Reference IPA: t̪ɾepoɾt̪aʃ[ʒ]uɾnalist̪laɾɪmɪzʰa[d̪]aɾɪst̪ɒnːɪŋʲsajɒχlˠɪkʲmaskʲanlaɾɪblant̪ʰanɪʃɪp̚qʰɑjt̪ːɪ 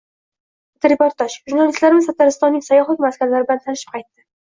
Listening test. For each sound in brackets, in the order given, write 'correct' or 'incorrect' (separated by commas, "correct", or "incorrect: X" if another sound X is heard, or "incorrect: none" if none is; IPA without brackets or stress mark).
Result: correct, incorrect: t̪